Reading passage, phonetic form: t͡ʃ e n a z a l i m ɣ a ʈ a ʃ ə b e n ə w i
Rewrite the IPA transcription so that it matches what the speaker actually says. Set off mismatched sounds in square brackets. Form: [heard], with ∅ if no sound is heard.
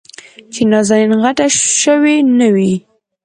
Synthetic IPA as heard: t͡ʃ e n [ɑ] z a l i [n] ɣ a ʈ a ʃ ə [w] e n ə w i